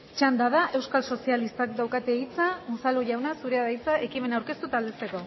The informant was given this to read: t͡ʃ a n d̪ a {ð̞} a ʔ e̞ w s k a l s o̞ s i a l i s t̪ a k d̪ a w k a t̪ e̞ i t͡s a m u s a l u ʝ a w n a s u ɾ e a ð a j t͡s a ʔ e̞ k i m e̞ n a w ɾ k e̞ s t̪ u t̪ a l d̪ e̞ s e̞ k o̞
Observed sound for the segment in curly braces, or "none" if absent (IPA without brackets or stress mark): ð̞